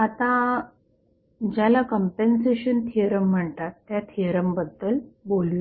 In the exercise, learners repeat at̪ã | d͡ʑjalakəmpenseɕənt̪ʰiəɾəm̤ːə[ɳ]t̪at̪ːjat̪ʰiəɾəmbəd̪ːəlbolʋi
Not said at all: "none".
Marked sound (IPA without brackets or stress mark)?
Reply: ɳ